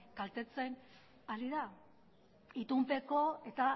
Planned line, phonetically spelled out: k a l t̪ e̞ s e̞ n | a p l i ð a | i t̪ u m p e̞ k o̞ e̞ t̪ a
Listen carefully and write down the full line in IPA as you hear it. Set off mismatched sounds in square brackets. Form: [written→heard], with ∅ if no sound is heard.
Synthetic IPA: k a l t̪ e̞ [s→t͡s] e̞ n | a [p→∅] l i ð a | i t̪ u m p e̞ k o̞ e̞ t̪ a